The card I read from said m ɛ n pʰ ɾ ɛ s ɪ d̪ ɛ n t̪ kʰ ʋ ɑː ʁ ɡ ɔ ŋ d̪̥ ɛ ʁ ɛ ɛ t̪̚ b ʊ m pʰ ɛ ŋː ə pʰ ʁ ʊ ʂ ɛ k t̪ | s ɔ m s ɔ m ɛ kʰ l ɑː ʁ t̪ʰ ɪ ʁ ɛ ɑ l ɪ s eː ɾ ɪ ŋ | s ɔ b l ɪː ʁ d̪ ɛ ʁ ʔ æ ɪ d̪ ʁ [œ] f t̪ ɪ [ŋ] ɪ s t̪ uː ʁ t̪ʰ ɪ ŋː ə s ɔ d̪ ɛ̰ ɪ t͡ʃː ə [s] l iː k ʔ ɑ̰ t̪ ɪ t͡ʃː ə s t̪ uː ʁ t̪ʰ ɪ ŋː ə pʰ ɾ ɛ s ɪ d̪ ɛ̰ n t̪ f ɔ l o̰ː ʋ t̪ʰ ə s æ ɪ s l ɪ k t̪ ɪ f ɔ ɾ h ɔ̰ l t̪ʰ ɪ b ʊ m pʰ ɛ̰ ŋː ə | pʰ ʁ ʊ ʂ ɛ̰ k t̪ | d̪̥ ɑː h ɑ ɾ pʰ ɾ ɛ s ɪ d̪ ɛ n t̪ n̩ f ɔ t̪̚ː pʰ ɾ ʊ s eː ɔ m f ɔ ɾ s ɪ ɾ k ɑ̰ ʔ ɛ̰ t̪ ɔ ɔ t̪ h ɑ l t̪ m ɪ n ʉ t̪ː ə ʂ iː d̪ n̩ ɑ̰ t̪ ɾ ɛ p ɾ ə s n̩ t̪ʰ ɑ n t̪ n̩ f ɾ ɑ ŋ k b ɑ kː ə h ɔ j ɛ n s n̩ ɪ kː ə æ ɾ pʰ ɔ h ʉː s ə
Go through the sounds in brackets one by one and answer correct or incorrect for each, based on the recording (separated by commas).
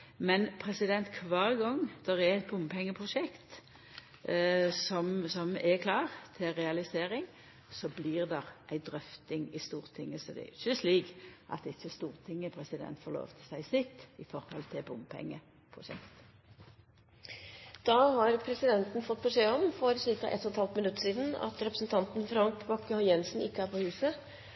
correct, correct, correct